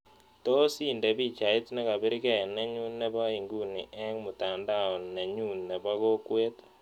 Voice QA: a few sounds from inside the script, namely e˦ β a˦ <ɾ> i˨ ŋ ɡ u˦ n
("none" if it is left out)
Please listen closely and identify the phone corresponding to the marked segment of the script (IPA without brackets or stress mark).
none